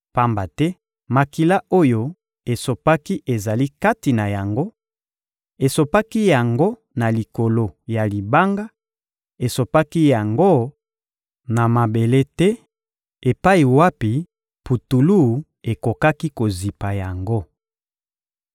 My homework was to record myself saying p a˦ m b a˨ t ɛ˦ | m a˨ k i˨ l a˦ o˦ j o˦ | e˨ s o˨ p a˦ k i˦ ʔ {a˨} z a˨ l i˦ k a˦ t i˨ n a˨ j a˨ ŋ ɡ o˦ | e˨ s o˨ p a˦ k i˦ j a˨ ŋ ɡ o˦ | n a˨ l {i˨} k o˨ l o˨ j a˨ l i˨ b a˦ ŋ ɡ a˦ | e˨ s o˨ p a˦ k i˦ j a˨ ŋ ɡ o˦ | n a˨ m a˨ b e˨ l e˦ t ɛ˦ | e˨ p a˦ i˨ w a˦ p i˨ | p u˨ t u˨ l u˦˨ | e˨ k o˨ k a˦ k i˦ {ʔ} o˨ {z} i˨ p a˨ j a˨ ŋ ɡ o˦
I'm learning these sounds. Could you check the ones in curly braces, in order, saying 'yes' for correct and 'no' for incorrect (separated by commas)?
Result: no, yes, no, yes